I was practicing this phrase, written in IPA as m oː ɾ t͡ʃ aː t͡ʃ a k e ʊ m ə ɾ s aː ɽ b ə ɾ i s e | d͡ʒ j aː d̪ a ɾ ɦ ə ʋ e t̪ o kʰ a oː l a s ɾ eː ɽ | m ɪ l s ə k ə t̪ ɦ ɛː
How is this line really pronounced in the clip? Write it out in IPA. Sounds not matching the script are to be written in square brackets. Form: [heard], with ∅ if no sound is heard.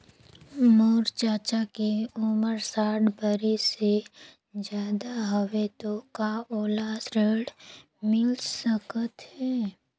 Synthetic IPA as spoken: m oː ɾ t͡ʃ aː t͡ʃ a k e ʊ m ə ɾ s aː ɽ b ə ɾ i s e | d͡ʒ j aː d̪ a [∅] ɦ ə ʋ e t̪ o [k] a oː l a s ɾ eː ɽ | m ɪ l s ə k ə t̪ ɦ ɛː

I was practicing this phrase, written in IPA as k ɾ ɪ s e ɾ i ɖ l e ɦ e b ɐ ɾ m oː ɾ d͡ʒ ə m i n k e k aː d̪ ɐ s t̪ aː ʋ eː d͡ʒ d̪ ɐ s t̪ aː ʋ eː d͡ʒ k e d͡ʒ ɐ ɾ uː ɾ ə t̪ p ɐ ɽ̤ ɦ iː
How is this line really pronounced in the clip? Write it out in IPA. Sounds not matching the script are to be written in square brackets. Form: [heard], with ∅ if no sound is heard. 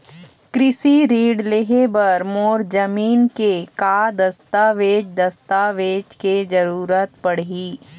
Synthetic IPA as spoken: k ɾ ɪ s [i] ɾ [iː] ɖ l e ɦ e b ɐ ɾ m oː ɾ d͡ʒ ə m [iː] n k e k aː d̪ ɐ s t̪ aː ʋ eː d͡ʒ d̪ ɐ s t̪ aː ʋ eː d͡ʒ k e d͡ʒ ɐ ɾ uː ɾ ə t̪ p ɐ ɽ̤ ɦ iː

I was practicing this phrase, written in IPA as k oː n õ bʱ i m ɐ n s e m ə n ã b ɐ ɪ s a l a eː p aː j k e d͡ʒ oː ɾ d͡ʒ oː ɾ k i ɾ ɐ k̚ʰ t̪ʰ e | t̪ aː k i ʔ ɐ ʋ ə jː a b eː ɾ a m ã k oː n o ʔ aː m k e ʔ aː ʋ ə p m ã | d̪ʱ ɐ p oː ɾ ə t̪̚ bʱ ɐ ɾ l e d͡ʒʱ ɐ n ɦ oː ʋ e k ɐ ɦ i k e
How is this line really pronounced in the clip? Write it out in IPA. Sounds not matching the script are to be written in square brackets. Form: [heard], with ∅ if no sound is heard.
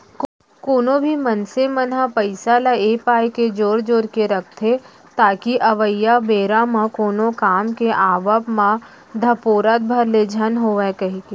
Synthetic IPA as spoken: k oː n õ bʱ i m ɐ n s e m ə n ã [p] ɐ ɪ s a l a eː p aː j k e d͡ʒ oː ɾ d͡ʒ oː ɾ k [e] ɾ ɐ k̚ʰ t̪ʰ e | t̪ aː k i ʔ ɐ ʋ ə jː a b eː ɾ a m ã k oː n o [k] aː m k e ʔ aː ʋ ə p m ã | d̪ʱ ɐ p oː ɾ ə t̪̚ bʱ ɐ ɾ l e d͡ʒʱ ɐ n ɦ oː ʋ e k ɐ ɦ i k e

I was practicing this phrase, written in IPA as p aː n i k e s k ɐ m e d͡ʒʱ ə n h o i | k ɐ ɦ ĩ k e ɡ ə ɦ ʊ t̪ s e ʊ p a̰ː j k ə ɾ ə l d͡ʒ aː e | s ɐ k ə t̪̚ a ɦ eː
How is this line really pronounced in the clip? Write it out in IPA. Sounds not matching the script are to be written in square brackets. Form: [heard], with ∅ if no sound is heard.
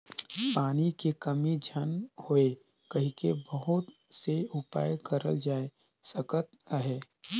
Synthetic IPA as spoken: p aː n i k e [∅] k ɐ m [i] d͡ʒʱ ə n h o [e] | k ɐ ɦ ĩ k e [b] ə ɦ ʊ t̪ s e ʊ p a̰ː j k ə ɾ ə l d͡ʒ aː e | s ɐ k ə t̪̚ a ɦ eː

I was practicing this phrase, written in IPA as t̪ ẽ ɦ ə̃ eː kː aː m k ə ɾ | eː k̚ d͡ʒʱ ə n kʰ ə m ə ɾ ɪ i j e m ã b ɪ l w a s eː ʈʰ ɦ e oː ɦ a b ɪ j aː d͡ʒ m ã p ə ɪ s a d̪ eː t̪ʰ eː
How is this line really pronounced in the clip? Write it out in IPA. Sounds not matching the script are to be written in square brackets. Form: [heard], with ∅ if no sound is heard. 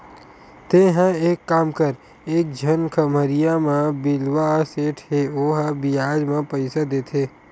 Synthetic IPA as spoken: t̪ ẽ ɦ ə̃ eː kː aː m k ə ɾ | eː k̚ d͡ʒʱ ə n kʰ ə m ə ɾ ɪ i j [a] m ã b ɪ l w a s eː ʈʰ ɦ e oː ɦ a b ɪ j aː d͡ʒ m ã p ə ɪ s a d̪ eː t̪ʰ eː

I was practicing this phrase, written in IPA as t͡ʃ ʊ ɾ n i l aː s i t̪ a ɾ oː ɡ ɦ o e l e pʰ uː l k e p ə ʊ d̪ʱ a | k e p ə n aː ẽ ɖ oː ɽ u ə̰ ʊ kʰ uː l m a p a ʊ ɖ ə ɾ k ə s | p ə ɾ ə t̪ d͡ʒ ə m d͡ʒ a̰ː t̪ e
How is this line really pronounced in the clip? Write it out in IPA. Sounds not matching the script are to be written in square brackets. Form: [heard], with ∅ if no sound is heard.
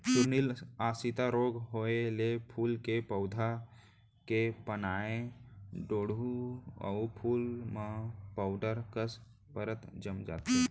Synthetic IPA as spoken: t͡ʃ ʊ ɾ n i l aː s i t̪ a ɾ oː ɡ ɦ o e l e pʰ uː l k e p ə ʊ d̪ʱ a | k e p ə n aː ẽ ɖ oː ɽ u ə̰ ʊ [pʰ] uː l m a p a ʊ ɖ ə ɾ k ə s | p ə ɾ ə t̪ d͡ʒ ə m d͡ʒ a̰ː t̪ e

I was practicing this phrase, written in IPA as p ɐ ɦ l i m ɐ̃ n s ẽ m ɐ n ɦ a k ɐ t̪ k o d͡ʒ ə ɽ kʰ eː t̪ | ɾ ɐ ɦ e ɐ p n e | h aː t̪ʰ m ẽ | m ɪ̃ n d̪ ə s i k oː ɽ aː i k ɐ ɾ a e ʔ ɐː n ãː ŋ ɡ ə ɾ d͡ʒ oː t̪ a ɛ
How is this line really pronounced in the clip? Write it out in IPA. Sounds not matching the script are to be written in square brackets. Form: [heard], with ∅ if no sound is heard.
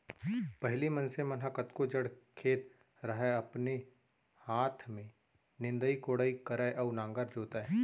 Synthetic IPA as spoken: p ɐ ɦ l i m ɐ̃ n s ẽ m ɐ n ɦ a k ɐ t̪ k o d͡ʒ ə ɽ kʰ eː t̪ | ɾ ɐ ɦ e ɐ p n e | h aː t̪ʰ m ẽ | [n] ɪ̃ n d̪ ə [∅] i k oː ɽ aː i k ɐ ɾ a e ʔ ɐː n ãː ŋ ɡ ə ɾ d͡ʒ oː t̪ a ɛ

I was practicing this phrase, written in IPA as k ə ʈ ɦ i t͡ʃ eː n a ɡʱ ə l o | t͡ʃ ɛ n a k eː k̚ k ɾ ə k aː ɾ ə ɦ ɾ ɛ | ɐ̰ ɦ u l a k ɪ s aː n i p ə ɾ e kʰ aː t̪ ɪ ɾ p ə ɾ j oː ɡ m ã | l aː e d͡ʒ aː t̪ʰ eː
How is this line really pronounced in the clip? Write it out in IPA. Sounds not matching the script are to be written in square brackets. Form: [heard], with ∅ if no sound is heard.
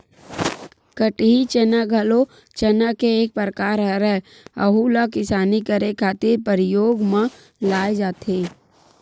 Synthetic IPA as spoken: k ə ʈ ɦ i t͡ʃ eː n a ɡʱ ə l o | t͡ʃ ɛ n a k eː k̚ [p] ɾ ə k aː ɾ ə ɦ ɾ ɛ | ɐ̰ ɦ u l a k ɪ s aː n i [k] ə ɾ e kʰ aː t̪ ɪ ɾ p ə ɾ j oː ɡ m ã | l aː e d͡ʒ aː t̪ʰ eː

